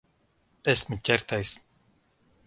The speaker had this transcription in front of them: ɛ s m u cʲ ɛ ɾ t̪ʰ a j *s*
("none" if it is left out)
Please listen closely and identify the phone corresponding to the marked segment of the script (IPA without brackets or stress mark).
s